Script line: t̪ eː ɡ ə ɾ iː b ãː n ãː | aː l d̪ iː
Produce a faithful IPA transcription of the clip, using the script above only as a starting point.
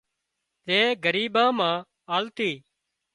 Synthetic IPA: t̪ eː ɡ ə ɾ iː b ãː m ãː | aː l t̪ iː